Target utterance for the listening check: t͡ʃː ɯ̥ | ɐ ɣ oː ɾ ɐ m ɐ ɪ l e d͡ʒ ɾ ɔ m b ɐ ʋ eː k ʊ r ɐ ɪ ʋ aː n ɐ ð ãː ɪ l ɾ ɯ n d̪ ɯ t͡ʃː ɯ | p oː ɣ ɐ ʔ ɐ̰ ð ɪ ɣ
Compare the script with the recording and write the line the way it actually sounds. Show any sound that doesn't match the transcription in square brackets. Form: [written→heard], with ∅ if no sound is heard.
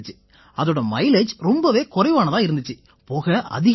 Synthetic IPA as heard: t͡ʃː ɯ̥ | ɐ [ɣ→ð] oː [ɾ→ɽ] ɐ m ɐ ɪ l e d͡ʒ ɾ ɔ m b ɐ ʋ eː k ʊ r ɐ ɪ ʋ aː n ɐ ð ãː ɪ [l→∅] ɾ ɯ n d̪ ɯ t͡ʃː ɯ | p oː ɣ ɐ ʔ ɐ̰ ð ɪ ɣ